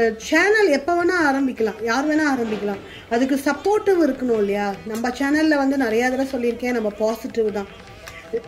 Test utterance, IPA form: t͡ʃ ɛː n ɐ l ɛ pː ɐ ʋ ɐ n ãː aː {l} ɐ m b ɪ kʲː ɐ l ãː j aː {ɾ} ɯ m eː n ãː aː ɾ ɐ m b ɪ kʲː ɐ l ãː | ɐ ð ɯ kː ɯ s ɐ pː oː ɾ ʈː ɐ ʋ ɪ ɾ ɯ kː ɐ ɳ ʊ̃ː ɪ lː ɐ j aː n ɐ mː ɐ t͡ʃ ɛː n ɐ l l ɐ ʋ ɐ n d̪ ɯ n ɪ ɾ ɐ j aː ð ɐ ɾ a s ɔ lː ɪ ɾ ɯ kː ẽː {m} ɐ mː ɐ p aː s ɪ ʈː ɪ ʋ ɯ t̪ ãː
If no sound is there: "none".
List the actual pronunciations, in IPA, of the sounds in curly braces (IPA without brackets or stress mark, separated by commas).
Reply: ɾ, ɾ, n